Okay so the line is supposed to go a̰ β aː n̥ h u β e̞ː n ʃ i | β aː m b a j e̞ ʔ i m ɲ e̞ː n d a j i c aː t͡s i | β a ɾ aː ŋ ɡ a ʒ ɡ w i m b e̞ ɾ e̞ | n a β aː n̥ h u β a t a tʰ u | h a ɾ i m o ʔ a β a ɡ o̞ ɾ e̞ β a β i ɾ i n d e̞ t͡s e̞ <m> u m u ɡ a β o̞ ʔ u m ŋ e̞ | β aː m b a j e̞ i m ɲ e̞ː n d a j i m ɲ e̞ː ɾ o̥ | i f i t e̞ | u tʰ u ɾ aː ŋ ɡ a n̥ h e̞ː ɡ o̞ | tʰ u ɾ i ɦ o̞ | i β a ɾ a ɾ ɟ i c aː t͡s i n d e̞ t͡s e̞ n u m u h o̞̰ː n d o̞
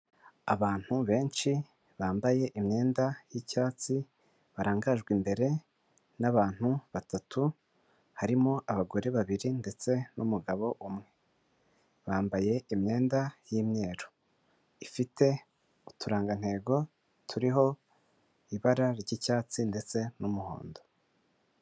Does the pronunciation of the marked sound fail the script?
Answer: yes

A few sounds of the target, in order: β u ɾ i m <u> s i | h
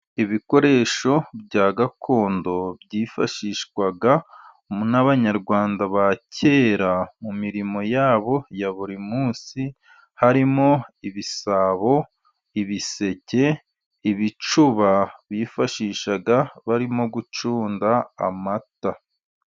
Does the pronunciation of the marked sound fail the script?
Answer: yes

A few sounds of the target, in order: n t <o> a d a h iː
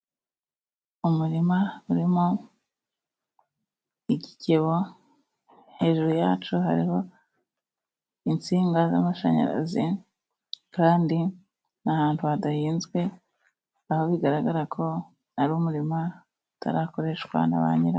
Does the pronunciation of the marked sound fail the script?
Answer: yes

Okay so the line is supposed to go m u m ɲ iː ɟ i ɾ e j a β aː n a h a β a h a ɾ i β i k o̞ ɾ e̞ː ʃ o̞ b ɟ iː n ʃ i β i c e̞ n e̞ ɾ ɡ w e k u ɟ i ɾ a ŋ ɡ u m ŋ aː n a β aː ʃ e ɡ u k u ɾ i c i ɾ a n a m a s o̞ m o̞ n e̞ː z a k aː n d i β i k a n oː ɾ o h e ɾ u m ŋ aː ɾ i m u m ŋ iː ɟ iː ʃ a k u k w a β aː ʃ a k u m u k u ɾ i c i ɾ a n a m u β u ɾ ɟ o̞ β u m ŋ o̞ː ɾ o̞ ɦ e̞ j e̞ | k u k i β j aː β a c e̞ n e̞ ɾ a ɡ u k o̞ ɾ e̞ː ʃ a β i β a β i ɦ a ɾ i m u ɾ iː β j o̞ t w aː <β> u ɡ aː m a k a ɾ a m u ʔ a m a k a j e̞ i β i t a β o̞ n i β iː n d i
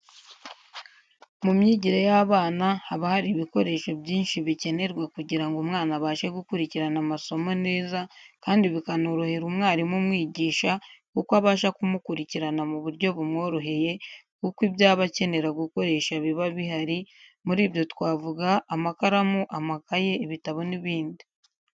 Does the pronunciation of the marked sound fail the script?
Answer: yes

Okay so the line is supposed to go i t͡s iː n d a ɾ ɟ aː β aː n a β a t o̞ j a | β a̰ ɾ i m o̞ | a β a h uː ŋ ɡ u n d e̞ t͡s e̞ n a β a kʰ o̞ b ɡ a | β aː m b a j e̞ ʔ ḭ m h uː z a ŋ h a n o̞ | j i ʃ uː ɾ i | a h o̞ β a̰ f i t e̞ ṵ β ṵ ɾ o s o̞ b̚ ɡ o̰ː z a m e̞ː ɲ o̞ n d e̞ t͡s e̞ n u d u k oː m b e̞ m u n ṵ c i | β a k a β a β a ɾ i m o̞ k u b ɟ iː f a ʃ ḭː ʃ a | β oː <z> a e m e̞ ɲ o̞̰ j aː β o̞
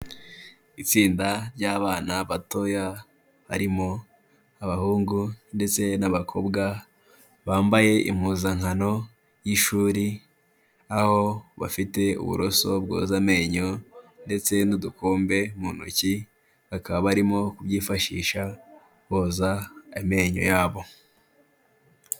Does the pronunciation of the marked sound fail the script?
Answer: no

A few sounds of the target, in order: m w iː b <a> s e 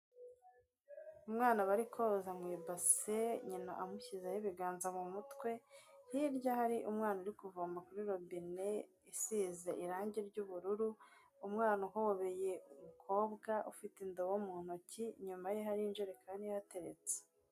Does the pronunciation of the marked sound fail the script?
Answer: no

